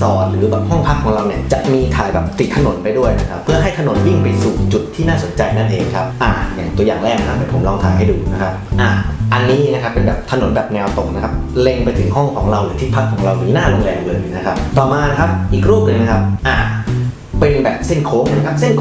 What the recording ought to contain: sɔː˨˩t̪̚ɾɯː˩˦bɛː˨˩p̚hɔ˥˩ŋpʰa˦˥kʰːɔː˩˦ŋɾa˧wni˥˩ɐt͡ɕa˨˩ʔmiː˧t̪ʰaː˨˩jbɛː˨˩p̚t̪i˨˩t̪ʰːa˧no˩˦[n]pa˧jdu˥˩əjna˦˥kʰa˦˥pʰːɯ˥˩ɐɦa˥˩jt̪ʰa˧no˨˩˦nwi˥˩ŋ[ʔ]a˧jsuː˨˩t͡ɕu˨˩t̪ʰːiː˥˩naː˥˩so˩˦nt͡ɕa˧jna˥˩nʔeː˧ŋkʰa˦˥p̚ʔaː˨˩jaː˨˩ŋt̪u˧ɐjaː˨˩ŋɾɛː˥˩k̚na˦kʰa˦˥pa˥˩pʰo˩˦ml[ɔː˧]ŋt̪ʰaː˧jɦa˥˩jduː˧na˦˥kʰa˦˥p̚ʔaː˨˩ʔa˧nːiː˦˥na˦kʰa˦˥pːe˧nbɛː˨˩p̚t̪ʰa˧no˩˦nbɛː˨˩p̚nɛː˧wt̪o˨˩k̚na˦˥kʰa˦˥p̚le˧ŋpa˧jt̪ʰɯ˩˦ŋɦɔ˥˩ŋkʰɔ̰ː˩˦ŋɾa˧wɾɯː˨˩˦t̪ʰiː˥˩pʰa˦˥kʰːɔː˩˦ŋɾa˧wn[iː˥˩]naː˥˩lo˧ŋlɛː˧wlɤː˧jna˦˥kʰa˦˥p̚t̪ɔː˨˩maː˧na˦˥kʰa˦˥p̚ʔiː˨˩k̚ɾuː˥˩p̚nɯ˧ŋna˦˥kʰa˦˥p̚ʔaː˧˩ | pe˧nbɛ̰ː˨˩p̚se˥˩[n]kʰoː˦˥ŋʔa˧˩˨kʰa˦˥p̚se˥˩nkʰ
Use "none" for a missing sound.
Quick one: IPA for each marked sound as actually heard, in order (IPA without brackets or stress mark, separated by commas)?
n, p, ɔː˧, iː˦˥, n